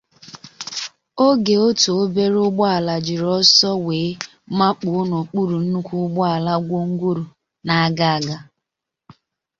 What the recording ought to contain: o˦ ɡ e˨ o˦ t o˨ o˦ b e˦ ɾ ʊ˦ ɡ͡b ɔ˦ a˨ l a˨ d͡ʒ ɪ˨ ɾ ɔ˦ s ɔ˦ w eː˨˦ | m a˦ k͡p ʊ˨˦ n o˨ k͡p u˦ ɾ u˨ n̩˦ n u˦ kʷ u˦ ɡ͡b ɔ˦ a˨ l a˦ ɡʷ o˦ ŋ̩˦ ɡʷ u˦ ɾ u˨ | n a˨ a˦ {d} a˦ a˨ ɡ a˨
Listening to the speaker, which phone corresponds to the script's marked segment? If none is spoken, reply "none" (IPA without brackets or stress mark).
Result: ɡ